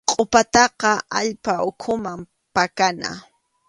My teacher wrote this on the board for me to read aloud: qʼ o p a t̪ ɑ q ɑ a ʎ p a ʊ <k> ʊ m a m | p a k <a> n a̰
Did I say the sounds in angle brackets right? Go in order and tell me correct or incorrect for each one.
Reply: incorrect, correct

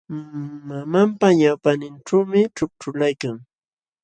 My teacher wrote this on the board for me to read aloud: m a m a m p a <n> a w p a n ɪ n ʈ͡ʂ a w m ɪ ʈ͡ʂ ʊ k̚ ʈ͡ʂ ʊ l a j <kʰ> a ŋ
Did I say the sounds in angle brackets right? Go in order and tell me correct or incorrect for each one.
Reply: incorrect, incorrect

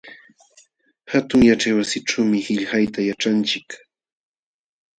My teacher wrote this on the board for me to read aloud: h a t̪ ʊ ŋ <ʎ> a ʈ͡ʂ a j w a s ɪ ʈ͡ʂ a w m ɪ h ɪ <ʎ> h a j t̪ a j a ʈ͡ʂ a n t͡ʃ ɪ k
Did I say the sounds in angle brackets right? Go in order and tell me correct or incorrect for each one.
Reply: incorrect, correct

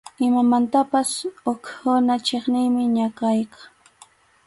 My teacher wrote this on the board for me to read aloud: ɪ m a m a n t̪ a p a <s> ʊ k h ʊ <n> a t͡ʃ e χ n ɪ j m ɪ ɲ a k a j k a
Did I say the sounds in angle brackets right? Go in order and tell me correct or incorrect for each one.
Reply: correct, correct

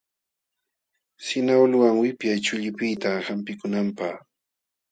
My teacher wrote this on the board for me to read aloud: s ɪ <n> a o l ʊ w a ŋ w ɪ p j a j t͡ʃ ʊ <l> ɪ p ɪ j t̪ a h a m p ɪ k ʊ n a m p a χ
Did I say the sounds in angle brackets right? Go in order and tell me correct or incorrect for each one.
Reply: correct, incorrect

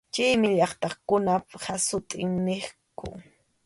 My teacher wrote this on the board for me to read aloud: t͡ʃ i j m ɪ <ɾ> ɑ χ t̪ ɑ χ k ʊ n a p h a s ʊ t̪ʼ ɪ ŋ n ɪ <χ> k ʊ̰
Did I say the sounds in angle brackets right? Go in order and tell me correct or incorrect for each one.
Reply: incorrect, correct

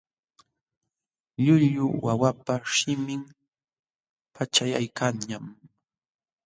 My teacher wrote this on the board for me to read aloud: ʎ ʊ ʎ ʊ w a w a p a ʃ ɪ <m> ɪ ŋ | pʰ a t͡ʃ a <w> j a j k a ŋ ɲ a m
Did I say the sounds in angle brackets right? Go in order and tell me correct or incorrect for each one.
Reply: correct, incorrect

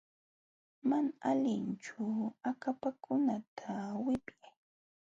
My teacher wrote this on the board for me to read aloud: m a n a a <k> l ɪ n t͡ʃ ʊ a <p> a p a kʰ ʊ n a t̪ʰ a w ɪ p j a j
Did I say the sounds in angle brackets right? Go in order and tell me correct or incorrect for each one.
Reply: incorrect, incorrect

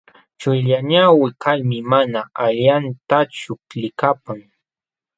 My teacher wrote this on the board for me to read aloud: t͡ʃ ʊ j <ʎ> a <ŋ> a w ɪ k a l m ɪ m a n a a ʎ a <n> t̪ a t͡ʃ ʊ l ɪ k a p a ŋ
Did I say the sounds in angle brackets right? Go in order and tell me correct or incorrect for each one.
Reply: correct, incorrect, correct

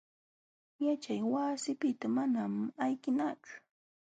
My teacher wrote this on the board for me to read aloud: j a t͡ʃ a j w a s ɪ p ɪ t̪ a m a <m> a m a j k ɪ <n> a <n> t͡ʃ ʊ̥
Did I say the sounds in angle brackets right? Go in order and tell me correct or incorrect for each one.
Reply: incorrect, correct, incorrect

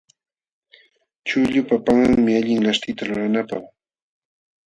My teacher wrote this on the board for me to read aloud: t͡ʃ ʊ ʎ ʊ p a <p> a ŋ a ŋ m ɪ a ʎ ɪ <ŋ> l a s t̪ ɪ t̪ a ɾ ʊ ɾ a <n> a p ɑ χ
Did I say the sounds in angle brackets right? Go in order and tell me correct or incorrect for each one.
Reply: correct, correct, correct

